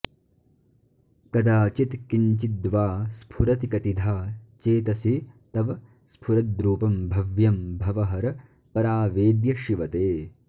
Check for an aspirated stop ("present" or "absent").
present